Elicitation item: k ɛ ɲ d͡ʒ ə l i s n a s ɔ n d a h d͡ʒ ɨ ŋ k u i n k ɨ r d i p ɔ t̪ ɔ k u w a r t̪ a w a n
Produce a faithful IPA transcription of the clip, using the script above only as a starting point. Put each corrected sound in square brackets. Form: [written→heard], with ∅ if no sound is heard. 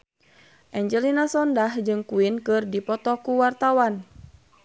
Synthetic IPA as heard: [k→ʔ] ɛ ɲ d͡ʒ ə l i [s→∅] n a s ɔ n d a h d͡ʒ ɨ ŋ k u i n k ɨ r d i p ɔ t̪ ɔ k u w a r t̪ a w a n

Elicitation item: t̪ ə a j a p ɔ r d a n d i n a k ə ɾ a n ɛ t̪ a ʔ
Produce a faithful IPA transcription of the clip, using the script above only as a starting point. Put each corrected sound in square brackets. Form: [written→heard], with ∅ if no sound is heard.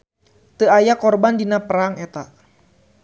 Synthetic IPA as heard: t̪ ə a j a [p→k] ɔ r [d→b] a n d i n a [k→p] ə ɾ a [n→ŋ] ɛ t̪ a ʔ

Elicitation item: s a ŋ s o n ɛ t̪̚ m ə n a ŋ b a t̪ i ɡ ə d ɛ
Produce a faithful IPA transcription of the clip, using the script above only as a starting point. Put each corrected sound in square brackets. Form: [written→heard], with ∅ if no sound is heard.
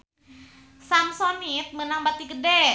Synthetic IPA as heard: s a [ŋ→m] s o n [ɛ→i] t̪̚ m ə n a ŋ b a t̪ i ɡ ə d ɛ

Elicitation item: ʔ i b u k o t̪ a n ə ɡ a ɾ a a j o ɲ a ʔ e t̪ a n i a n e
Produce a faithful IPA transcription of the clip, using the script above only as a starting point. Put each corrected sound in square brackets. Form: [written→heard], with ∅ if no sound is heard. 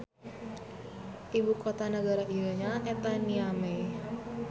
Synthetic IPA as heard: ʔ i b u k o t̪ a n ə ɡ a ɾ a [a→i] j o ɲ a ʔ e t̪ a n i a [n→m] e

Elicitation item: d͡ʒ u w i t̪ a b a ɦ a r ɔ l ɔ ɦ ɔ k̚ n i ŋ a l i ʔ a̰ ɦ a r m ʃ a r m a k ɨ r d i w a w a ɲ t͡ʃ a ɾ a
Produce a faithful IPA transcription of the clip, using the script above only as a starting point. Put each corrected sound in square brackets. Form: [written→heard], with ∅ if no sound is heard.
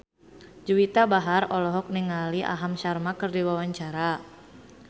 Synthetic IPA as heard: d͡ʒ u w i t̪ a b a ɦ a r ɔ l ɔ ɦ ɔ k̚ n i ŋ a l i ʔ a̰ ɦ a [r→∅] m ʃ a r m a k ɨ r d i w a w a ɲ t͡ʃ a ɾ a

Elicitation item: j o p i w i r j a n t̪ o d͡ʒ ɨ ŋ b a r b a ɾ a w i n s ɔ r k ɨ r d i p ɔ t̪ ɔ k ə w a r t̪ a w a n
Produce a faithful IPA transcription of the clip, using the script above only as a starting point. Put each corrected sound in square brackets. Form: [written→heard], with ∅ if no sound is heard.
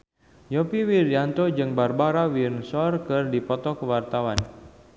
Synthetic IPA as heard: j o p i w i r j a n t̪ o d͡ʒ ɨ ŋ b a r b a ɾ a w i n s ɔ r k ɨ r d i p ɔ t̪ ɔ k ə w a r t̪ a w a n

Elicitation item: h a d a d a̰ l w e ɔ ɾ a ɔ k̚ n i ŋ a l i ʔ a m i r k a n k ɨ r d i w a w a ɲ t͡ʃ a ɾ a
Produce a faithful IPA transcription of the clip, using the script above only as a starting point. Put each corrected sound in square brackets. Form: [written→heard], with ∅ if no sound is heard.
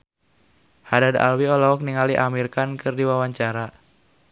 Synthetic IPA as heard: h a d a d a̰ l w [e→i] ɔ [ɾ→l] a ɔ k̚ n i ŋ a l i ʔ a m i r k a n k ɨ r d i w a w a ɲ t͡ʃ a ɾ a

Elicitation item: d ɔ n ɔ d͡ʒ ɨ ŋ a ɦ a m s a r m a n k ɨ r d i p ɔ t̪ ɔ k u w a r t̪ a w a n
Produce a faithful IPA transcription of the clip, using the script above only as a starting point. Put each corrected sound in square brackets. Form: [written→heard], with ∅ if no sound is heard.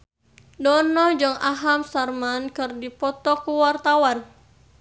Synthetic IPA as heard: d ɔ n ɔ d͡ʒ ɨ ŋ a ɦ a m s a r m a n k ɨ r d i p ɔ t̪ ɔ k u w a r t̪ a w a n

